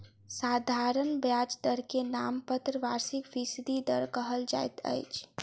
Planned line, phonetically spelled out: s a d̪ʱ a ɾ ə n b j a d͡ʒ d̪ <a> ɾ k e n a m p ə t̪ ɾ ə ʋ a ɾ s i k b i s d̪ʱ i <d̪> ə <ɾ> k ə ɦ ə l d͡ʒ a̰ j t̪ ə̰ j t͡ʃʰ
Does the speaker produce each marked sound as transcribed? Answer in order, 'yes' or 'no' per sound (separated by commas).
no, yes, yes